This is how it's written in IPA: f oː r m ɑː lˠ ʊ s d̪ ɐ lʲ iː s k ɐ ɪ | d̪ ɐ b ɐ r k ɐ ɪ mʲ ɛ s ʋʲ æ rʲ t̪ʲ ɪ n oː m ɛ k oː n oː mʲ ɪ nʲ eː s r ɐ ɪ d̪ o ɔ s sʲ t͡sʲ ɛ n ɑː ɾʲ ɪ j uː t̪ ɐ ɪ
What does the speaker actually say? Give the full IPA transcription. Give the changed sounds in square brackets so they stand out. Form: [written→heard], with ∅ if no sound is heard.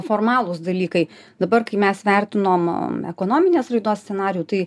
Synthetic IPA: f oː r m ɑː lˠ ʊ s d̪ ɐ lʲ iː [s→∅] k ɐ ɪ | d̪ ɐ b ɐ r k ɐ ɪ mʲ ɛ s ʋʲ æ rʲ t̪ʲ ɪ n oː m ɛ k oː n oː mʲ ɪ nʲ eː s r ɐ ɪ d̪ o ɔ s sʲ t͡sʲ ɛ n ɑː ɾʲ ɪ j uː t̪ ɐ ɪ